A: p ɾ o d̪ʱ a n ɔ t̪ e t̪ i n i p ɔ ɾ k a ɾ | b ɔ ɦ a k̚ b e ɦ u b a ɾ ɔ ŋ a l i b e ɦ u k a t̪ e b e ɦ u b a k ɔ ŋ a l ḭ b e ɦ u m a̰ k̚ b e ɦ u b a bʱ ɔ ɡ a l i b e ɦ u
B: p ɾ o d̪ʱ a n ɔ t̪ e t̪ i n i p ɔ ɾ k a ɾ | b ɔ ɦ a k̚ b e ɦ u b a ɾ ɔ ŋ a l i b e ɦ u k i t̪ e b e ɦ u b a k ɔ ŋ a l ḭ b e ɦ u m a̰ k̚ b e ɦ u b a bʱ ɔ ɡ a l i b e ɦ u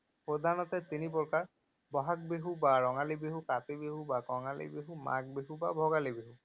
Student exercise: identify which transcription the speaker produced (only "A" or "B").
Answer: A